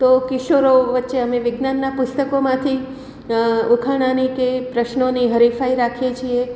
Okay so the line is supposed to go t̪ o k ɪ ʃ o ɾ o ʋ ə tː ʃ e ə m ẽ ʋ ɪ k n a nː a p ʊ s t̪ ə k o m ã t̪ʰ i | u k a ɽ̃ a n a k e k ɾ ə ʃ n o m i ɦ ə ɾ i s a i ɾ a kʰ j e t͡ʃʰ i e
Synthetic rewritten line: t̪ o k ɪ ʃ o ɾ o ʋ ə tː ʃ e ə m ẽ ʋ ɪ ɡ n a nː a p ʊ s t̪ ə k o m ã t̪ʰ i | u kʰ a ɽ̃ a n i k e p ɾ ə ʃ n o n i ɦ ə ɾ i f a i ɾ a kʰ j e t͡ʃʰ i e